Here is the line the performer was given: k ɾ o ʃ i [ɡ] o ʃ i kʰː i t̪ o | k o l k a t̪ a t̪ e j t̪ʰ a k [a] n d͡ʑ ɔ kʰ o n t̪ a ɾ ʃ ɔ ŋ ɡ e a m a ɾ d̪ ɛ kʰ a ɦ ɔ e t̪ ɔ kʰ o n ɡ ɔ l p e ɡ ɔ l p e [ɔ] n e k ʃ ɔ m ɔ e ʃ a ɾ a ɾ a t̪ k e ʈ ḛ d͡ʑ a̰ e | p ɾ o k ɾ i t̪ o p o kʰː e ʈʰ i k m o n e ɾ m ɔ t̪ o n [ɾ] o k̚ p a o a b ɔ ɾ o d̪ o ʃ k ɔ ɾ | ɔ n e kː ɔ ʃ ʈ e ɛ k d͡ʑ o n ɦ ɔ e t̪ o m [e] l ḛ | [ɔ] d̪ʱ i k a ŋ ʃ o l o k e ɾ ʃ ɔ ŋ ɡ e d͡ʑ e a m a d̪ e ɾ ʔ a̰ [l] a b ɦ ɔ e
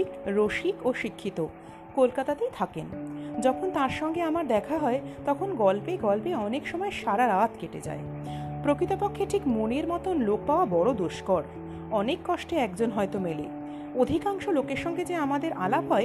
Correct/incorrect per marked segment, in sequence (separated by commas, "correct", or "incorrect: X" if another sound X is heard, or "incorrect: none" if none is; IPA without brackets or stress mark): incorrect: k, incorrect: e, correct, incorrect: l, correct, incorrect: o, correct